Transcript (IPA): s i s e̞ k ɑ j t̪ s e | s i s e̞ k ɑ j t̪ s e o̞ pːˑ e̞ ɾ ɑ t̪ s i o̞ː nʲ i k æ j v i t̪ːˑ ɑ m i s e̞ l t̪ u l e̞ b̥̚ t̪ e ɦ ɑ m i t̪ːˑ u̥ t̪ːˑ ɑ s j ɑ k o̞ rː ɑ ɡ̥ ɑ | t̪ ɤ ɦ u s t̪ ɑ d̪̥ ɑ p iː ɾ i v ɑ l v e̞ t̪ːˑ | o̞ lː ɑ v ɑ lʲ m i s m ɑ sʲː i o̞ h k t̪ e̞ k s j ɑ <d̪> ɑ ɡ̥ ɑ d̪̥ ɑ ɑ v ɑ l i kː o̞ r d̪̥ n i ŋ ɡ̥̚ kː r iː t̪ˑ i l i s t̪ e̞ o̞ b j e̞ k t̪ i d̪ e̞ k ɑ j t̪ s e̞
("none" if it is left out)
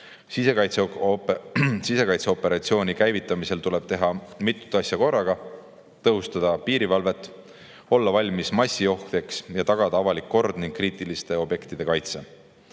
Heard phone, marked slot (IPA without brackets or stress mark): t̪